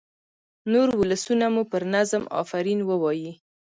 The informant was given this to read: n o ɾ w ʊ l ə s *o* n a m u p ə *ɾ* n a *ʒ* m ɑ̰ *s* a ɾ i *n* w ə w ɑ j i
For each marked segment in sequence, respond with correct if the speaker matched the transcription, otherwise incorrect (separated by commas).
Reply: incorrect, correct, incorrect, incorrect, correct